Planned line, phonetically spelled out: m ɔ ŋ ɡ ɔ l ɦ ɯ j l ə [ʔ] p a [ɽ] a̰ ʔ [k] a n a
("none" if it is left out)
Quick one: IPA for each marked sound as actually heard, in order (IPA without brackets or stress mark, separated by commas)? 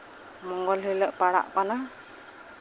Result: ʔ, ɽ, p